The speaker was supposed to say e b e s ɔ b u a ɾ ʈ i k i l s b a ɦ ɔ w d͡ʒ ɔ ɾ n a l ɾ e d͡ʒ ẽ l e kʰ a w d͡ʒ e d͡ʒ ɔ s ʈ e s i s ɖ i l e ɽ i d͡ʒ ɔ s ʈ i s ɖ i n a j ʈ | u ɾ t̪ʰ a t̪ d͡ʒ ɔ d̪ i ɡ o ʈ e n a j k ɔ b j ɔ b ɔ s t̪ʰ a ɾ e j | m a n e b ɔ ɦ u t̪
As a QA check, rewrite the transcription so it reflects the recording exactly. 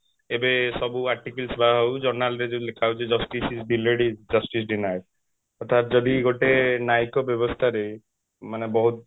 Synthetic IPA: e b e s ɔ b u a ɾ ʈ i k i l s b a ɦ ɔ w d͡ʒ ɔ ɾ n a l ɾ e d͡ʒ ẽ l e kʰ a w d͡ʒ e d͡ʒ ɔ s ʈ i s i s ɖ i l e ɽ i d͡ʒ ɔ s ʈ i s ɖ i n a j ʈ | ɔ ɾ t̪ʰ a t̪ d͡ʒ ɔ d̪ i ɡ o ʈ e n a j k ɔ b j ɔ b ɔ s t̪ʰ a ɾ e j | m a n e b ɔ ɦ u t̪